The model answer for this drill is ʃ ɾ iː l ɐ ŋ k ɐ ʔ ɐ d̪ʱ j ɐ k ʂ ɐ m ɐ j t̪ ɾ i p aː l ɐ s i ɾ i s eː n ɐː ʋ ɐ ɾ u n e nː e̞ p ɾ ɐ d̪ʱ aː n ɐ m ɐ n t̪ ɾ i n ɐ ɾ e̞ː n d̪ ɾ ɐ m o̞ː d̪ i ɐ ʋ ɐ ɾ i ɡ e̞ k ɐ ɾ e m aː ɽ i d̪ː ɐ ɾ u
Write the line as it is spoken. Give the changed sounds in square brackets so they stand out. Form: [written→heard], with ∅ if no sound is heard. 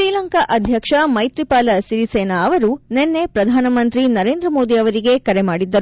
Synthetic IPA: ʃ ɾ iː l ɐ ŋ k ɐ ʔ ɐ d̪ʱ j ɐ k ʂ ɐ m ɐ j t̪ ɾ i p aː l ɐ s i ɾ i s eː n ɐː ʋ ɐ ɾ u n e nː e̞ p ɾ ɐ d̪ʱ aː n ɐ m ɐ n t̪ ɾ i n ɐ ɾ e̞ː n d̪ ɾ ɐ m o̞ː d̪ i ɐ ʋ ɐ ɾ i ɡ e̞ k ɐ ɾ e m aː ɽ i d̪ː ɐ ɾ u